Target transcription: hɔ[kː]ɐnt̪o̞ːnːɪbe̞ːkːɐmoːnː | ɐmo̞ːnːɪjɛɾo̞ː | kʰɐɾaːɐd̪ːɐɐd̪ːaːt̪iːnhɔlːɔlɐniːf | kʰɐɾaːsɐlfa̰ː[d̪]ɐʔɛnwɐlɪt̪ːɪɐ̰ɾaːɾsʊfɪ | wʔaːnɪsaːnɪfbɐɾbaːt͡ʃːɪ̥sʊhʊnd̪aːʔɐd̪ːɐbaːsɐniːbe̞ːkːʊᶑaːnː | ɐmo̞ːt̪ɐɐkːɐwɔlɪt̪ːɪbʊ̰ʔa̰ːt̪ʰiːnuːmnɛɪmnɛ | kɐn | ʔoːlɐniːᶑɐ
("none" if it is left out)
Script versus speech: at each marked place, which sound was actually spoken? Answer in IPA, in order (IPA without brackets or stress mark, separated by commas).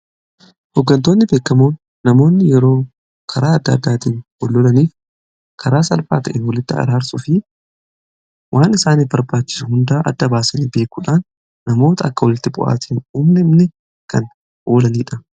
ɡː, t̪